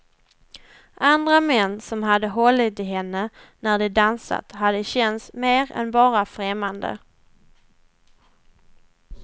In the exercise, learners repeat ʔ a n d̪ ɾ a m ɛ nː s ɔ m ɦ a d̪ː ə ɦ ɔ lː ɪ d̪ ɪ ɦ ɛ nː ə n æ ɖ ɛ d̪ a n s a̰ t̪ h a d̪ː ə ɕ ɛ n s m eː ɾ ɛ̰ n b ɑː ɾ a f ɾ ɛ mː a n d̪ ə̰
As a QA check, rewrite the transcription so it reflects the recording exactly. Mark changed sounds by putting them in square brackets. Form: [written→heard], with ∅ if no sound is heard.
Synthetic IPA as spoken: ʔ a n d̪ ɾ a m ɛ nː s ɔ m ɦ a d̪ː ə ɦ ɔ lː ɪ [d̪→t̪] ɪ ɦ ɛ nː ə n æ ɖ ɛ d̪ a n s a̰ t̪ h a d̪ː ə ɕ ɛ n s m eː ɾ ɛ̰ n b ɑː ɾ a f ɾ ɛ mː a n d̪ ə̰